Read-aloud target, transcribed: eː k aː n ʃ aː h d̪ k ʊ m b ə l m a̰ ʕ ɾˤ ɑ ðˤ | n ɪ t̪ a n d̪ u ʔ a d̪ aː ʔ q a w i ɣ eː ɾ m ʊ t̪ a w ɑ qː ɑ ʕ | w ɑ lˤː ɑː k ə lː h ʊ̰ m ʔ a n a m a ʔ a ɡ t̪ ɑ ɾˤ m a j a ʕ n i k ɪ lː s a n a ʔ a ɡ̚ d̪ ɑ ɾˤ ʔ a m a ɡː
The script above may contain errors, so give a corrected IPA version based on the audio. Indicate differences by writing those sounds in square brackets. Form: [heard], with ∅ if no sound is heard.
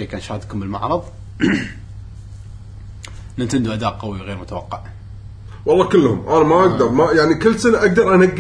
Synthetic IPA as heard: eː k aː n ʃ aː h d̪ k ʊ m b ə l m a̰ ʕ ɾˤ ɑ ðˤ | n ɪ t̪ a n d̪ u ʔ a d̪ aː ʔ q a w i ɣ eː ɾ m ʊ t̪ a w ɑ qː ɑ ʕ | w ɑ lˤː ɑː k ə lː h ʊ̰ m ʔ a n a m a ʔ a ɡ [d̪] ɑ ɾˤ m a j a ʕ n i k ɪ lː s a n a ʔ a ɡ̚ d̪ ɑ ɾˤ ʔ a [n] a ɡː